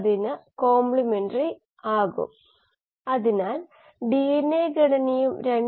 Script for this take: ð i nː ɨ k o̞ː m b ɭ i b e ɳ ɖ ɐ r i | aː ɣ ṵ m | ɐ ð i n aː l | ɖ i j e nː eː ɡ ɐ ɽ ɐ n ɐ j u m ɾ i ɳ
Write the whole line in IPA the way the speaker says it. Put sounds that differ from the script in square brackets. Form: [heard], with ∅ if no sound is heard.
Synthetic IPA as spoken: ð i [n] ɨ k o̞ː m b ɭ i [m] e ɳ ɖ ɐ r i | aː ɣ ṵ m | ɐ ð i n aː l | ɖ i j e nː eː ɡ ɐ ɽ ɐ n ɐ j u m ɾ [e] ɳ